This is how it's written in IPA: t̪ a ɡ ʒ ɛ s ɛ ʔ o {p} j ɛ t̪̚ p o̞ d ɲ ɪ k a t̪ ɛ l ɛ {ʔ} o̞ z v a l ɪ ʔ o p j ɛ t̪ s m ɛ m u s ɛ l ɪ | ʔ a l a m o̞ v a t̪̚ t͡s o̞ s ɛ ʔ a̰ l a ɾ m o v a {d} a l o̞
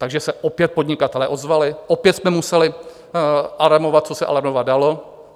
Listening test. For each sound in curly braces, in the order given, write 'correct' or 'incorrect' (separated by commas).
correct, correct, correct